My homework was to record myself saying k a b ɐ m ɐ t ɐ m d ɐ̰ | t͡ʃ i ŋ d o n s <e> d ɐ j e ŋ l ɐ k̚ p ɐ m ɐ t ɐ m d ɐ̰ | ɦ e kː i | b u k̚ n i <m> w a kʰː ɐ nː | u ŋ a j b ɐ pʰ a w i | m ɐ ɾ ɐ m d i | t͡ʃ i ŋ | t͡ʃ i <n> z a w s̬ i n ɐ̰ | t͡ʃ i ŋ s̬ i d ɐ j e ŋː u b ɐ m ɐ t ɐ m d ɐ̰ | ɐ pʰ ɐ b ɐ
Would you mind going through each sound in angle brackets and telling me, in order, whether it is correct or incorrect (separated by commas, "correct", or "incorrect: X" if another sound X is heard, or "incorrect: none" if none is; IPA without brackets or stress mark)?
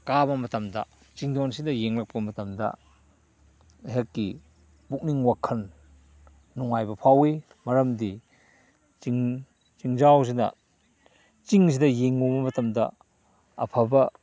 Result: incorrect: i, incorrect: ŋ, incorrect: ŋ